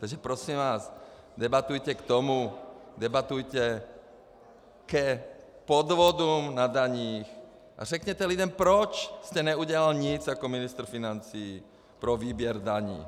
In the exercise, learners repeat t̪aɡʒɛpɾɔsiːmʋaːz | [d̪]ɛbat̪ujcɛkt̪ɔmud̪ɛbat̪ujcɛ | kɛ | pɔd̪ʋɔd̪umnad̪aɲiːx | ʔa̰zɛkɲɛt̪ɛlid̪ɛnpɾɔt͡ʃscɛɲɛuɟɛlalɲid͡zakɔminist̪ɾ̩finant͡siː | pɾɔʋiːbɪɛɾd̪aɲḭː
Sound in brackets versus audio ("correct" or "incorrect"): correct